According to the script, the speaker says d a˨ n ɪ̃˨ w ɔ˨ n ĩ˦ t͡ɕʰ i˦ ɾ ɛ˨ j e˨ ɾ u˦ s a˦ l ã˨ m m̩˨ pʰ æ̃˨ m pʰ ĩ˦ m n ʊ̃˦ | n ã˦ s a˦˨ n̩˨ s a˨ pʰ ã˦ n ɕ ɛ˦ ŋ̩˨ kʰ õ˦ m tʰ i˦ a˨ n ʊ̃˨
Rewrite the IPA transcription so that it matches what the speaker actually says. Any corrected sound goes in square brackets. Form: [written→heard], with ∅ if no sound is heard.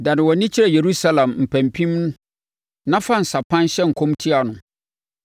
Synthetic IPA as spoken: d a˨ n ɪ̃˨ w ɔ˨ n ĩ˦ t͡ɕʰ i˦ ɾ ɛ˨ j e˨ ɾ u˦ s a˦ l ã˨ m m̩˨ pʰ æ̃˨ m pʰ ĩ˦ m n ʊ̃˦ | n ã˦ [s→f] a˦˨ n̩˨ s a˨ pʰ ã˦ n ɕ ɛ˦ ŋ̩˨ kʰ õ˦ m tʰ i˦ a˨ n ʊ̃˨

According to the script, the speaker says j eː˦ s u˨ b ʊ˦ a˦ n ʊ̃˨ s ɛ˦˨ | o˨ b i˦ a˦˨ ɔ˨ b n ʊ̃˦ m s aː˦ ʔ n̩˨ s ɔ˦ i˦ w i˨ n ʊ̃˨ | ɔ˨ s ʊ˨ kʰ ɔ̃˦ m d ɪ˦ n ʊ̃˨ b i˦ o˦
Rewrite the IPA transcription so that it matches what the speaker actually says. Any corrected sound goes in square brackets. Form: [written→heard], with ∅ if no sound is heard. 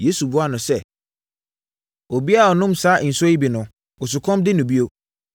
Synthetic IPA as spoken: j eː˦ s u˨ b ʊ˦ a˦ n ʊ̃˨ s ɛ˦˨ | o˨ b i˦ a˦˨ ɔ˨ [b→∅] n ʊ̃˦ m s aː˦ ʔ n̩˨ s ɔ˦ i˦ [w→b] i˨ n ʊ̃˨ | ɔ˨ s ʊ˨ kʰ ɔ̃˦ m d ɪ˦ n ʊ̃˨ b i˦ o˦

